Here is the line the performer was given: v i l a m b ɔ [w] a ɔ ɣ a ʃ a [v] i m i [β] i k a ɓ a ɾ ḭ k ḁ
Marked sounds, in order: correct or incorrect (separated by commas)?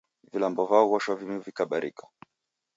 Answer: incorrect, correct, incorrect